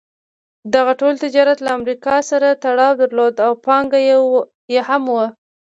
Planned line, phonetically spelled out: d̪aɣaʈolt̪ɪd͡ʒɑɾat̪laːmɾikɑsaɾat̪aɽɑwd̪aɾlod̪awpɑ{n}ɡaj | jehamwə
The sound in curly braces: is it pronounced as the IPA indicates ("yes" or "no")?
no